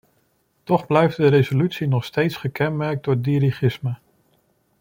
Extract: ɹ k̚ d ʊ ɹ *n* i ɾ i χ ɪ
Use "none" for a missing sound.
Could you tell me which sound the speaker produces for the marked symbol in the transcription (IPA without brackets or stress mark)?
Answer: d